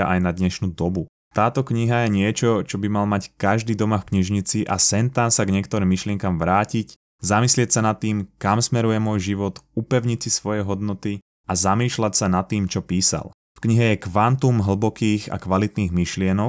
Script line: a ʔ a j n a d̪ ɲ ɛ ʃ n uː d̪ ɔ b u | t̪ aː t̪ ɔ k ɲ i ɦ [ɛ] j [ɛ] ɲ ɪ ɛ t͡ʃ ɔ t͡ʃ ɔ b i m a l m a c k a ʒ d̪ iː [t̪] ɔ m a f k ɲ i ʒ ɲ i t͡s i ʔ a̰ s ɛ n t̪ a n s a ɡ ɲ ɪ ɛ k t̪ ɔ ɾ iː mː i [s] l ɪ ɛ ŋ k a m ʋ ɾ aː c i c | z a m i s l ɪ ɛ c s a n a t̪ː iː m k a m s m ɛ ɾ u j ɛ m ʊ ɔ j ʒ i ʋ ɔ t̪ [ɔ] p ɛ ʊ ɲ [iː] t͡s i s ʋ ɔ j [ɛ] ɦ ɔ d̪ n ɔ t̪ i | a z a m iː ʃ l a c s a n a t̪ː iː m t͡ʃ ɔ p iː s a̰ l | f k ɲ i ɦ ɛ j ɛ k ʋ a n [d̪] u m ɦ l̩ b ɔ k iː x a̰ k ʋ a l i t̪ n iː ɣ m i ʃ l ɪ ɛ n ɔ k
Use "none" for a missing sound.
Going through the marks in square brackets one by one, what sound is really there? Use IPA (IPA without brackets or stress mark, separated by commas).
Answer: a, ɛ, d̪, ʃ, u, i, ɛ, t̪